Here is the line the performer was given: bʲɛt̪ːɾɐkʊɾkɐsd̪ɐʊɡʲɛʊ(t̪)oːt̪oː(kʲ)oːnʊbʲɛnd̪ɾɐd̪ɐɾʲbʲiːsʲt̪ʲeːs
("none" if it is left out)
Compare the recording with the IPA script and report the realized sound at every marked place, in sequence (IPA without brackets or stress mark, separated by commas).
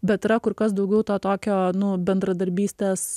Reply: t̪, kʲ